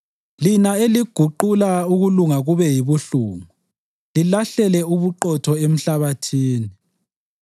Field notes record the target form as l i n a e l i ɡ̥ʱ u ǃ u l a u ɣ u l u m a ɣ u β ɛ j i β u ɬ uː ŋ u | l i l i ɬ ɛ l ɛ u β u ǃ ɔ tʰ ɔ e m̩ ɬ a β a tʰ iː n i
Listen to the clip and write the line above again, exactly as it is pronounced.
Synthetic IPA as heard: l i n a e l i ɡ̥ʱ u ǃ u l a u ɣ u l u ŋ a ɣ u β ɛ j i β u ɬ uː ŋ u | l i l a ɬ ɛ l ɛ u β u ǃ ɔ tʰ ɔ e m̩ ɬ a β a tʰ iː n i